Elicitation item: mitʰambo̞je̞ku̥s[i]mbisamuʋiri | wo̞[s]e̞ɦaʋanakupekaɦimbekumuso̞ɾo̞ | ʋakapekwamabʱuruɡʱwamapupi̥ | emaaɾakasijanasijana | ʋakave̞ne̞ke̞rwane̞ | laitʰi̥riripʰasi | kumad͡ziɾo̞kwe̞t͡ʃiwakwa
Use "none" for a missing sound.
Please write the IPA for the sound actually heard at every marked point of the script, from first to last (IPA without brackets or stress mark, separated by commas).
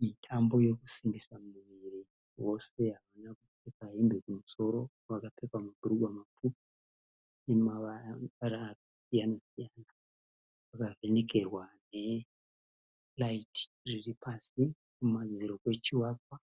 i, s